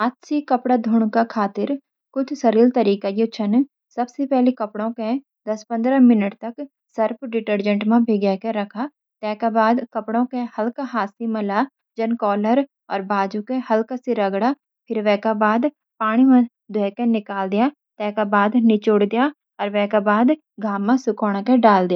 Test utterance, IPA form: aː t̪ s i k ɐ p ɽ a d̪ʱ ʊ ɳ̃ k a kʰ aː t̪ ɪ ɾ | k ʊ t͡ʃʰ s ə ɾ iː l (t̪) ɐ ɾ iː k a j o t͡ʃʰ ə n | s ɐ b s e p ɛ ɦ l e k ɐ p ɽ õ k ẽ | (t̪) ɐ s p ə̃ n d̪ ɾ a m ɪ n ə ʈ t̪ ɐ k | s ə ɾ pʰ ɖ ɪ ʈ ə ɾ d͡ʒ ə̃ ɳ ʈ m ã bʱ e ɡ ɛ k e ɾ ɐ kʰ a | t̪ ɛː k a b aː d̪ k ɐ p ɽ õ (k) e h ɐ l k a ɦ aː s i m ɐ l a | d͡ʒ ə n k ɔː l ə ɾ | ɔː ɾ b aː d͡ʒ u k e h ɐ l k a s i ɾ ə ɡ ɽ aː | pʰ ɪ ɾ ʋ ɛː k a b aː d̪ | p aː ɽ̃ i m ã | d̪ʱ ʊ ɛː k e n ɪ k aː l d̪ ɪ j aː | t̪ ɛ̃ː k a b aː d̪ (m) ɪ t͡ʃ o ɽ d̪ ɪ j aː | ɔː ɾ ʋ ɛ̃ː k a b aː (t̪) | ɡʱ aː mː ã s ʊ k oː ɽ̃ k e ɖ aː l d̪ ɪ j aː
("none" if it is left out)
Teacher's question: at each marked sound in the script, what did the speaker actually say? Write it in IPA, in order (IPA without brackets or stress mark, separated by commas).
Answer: t̪, d̪, k, n, d̪